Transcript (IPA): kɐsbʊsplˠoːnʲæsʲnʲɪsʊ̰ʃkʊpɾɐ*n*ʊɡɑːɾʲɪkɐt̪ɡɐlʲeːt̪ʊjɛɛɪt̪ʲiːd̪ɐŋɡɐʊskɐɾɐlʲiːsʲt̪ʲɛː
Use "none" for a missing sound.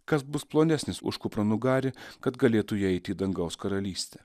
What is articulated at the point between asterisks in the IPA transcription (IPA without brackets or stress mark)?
n